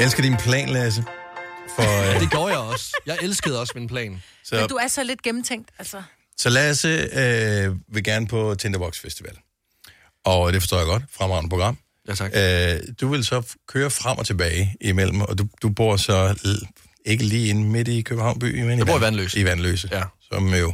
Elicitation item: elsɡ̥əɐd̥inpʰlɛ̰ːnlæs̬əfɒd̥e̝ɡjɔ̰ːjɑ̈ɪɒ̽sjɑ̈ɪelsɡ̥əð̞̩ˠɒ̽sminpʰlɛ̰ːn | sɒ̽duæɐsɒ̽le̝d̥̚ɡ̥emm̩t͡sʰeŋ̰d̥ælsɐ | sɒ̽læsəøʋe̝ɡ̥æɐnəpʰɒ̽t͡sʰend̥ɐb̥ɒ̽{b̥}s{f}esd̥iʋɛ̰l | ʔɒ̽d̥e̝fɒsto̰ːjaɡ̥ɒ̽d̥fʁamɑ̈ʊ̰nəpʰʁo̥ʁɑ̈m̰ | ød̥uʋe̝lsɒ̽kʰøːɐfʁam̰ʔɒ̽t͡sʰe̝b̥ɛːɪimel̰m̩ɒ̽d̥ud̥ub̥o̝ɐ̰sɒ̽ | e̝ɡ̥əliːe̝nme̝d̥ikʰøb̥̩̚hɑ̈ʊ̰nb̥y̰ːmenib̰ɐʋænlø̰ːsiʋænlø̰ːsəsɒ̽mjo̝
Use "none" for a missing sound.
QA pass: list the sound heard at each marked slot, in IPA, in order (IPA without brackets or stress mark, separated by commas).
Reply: ɡ̥, f